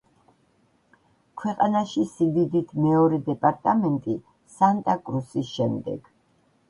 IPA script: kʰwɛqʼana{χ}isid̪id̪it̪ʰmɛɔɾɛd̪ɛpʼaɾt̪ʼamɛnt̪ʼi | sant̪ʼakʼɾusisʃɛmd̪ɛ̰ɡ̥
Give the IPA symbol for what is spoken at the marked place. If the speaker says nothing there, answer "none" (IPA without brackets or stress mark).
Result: ʃ